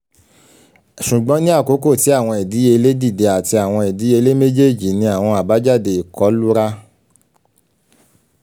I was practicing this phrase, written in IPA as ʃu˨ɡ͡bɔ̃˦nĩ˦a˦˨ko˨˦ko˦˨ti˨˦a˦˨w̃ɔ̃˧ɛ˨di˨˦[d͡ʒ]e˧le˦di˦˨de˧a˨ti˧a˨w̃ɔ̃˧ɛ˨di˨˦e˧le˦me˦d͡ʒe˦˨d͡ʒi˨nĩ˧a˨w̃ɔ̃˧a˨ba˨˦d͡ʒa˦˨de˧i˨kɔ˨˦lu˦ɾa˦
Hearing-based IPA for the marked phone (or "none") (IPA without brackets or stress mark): none